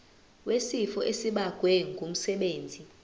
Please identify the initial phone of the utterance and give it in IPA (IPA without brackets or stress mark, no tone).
w